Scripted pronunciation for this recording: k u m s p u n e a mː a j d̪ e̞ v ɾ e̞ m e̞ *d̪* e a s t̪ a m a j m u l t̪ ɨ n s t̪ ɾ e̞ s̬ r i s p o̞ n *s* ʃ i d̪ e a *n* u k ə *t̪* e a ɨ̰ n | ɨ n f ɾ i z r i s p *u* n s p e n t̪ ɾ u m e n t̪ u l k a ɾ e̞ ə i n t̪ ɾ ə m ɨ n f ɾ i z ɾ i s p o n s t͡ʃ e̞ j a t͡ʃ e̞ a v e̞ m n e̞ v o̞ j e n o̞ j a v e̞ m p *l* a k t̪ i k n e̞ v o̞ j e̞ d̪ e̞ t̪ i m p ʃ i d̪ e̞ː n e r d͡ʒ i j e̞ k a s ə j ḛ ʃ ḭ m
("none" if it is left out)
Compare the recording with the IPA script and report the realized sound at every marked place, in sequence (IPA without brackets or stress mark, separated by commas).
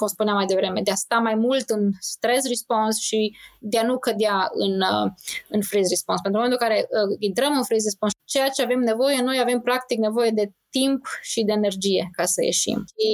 d̪, s, n, d̪, o, ɾ